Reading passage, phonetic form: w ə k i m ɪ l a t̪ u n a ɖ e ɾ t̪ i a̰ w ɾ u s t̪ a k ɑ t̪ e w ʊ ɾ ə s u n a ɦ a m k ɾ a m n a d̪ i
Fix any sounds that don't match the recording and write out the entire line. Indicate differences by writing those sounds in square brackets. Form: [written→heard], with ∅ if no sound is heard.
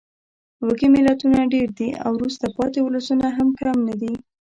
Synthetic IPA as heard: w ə k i m ɪ l a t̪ u n a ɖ e ɾ [t̪→d̪] i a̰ w ɾ u s t̪ a [k→p] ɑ t̪ e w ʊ [ɾ→l] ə s u n a ɦ a m k ɾ a m n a d̪ i